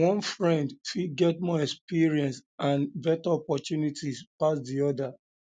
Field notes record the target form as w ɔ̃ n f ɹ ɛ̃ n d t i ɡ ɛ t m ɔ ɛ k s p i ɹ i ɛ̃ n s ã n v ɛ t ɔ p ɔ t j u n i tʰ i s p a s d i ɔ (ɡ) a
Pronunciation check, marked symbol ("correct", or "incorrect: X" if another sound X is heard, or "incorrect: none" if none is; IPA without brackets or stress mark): incorrect: d